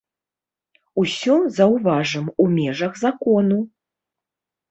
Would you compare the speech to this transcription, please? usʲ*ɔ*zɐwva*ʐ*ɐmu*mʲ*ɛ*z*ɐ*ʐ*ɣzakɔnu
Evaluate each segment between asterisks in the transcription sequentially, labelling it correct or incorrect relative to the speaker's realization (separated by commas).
correct, correct, correct, incorrect, incorrect